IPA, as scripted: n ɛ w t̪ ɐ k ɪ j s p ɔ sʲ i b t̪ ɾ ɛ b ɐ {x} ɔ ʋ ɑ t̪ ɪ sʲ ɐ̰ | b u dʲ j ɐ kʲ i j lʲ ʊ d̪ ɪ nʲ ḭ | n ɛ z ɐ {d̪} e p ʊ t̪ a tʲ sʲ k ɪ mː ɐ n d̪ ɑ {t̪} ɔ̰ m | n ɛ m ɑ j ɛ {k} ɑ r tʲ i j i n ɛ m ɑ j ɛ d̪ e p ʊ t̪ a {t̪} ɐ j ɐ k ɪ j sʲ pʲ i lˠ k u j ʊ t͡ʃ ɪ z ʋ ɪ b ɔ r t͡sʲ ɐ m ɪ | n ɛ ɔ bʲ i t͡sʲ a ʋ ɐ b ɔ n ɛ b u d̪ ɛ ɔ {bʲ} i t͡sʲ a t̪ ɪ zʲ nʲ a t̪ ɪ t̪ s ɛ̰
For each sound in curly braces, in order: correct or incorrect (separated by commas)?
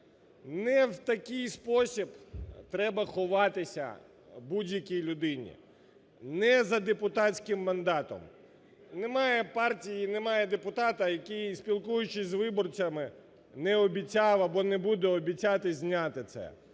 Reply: correct, correct, correct, incorrect, correct, correct